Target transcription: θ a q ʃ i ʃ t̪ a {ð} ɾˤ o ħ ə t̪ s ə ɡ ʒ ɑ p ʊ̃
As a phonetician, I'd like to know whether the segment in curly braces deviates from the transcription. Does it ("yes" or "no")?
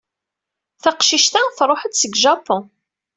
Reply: yes